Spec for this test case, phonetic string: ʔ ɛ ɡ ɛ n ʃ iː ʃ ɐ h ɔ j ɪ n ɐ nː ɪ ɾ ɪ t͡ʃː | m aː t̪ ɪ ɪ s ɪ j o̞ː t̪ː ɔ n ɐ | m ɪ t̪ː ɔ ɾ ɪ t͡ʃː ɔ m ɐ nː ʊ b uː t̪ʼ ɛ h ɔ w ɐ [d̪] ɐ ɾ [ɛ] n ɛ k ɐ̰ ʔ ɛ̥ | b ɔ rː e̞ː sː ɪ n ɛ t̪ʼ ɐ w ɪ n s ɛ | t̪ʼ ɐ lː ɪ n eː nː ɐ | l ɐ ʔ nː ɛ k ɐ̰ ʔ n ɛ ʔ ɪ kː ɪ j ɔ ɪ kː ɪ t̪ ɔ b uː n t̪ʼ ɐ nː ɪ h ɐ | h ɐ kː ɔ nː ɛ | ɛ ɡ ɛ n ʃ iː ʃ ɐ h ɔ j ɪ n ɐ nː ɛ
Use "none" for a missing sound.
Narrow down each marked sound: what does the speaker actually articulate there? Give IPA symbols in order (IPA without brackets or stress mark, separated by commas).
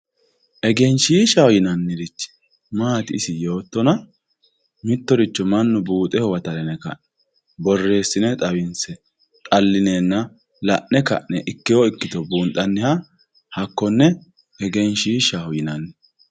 t̪, ɛ